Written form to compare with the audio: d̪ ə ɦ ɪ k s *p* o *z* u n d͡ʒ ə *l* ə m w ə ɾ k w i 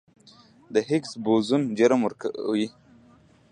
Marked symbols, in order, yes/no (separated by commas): no, yes, no